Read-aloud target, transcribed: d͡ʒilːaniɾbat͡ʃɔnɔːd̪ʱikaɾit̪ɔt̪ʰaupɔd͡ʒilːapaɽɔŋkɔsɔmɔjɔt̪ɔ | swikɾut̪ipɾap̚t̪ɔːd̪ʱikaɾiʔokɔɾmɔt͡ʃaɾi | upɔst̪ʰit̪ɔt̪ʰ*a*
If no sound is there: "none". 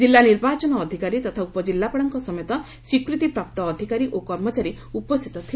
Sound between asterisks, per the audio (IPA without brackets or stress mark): i